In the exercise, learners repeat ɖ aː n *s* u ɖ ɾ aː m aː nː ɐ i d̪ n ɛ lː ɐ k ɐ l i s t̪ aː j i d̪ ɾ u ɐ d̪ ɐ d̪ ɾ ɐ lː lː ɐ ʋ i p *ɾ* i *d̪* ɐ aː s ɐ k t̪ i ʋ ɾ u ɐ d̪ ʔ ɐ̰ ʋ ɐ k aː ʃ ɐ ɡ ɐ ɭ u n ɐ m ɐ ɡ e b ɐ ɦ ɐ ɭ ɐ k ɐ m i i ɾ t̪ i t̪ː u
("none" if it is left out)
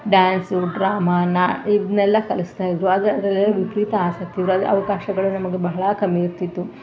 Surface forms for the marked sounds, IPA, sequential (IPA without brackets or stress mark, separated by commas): s, ɾ, t̪